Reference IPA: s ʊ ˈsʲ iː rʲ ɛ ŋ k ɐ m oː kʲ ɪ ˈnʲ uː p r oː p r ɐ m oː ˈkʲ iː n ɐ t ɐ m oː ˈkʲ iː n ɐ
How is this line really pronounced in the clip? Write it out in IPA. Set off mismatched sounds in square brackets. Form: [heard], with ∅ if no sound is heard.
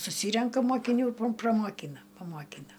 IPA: s ʊ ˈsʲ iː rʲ ɛ ŋ k ɐ m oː kʲ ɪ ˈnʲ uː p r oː p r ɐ m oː ˈkʲ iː n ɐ [p] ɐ m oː ˈkʲ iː n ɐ

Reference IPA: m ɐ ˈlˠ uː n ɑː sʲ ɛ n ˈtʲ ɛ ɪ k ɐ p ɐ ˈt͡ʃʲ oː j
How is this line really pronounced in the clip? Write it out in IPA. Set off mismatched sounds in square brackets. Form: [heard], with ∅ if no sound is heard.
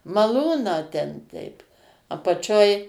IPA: m ɐ ˈlˠ uː n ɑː [tʲ] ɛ n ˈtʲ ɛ ɪ [p] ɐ p ɐ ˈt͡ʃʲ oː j

